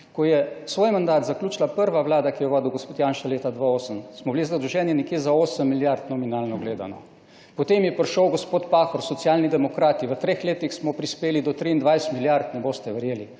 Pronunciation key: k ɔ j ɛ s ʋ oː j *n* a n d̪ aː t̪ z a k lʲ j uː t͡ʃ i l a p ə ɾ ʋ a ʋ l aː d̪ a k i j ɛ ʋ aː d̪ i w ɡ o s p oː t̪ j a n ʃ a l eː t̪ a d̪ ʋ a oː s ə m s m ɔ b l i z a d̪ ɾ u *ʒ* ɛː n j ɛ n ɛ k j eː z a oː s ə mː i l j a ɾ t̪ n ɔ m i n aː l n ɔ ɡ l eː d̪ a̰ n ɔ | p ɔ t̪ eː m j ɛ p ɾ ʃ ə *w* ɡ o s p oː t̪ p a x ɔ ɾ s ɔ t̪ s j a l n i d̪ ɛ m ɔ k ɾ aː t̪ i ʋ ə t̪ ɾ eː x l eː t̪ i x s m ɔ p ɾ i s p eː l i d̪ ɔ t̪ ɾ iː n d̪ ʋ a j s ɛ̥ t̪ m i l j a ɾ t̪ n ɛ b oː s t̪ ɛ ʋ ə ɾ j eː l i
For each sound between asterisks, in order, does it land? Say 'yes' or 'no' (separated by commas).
no, yes, yes